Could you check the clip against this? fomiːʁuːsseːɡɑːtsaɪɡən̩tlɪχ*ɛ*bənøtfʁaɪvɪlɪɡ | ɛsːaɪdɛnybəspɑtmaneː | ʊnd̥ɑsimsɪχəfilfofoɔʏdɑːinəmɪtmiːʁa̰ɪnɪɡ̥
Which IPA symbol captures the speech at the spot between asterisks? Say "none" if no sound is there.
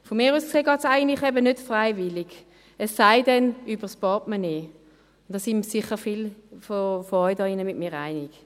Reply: ɛ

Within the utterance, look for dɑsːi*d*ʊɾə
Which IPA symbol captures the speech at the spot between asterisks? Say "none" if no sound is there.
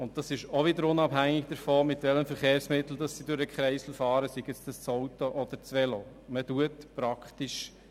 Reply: d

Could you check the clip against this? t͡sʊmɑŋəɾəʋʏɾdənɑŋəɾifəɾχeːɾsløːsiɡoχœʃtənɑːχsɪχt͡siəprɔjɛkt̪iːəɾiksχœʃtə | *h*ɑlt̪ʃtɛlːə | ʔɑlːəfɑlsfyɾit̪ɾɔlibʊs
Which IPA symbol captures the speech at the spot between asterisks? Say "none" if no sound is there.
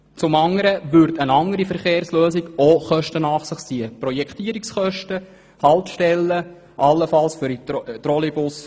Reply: h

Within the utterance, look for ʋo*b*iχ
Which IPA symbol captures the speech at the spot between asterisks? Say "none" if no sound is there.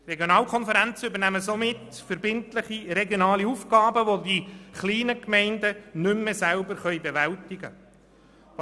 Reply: d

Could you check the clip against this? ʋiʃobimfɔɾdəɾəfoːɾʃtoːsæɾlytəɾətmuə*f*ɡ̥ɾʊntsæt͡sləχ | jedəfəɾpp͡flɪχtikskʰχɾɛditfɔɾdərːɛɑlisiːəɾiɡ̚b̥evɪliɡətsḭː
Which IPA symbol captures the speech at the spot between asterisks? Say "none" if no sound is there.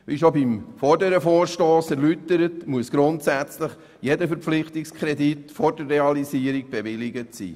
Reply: s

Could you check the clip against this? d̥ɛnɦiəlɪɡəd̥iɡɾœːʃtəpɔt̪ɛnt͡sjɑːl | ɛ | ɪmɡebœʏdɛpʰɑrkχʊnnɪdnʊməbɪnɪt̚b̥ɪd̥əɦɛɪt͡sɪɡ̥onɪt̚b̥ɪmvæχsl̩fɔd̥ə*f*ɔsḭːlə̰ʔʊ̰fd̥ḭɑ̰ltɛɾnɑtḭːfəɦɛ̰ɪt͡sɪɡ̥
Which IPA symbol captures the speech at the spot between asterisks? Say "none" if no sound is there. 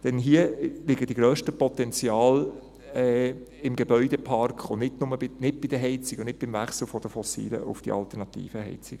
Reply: f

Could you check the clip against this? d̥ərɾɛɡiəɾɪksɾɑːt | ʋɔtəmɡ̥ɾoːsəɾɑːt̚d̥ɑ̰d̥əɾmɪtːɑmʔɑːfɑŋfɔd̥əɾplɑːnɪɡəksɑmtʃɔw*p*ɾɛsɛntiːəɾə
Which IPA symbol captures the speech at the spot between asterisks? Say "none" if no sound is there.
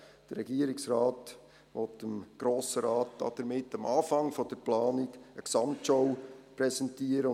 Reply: p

